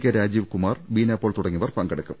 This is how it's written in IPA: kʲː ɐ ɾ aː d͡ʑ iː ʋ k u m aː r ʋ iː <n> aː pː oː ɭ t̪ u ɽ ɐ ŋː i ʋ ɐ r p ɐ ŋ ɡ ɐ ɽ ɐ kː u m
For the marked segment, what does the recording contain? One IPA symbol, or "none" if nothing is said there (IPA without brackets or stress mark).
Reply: n